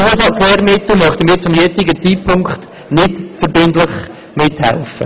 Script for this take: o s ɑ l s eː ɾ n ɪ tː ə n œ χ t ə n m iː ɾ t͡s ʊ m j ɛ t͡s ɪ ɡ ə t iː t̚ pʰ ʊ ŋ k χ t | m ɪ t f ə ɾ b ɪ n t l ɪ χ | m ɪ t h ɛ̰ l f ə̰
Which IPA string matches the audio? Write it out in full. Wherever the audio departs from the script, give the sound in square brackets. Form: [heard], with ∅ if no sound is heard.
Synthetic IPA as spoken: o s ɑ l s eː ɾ [m] ɪ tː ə [m] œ χ t ə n m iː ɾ t͡s ʊ m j ɛ t͡s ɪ ɡ ə [t͡s] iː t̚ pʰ ʊ ŋ k χ t | [n] ɪ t f ə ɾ b ɪ n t l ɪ χ | m ɪ t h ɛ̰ l f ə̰